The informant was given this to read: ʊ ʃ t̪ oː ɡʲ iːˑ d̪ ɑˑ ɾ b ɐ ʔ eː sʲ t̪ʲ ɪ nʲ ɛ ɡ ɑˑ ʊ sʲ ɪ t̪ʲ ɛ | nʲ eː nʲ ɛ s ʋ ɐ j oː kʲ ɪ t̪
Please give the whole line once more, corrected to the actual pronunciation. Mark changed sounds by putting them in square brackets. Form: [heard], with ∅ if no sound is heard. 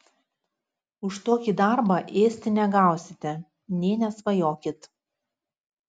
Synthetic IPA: ʊ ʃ t̪ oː [kʲ] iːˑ d̪ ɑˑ ɾ b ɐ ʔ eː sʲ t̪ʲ ɪ nʲ ɛ ɡ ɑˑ ʊ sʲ ɪ t̪ʲ ɛ | nʲ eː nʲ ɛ s ʋ ɐ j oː kʲ ɪ t̪